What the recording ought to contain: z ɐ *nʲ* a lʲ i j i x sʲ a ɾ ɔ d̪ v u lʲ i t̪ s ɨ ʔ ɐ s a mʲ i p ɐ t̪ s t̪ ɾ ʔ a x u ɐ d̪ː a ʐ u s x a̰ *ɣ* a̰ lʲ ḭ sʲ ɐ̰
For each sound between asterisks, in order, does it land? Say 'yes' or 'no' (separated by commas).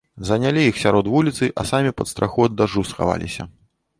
yes, no